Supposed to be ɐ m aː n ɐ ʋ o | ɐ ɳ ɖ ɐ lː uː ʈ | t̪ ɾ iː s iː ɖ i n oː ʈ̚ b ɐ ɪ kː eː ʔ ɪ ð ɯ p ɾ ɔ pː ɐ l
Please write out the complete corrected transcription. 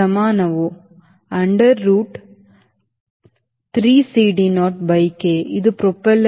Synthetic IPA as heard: ɐ m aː n ɐ ʋ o | ɐ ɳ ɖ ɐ ɾː uː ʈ | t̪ ɾ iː s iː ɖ i n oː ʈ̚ b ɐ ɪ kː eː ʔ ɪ ð ɯ p ɾ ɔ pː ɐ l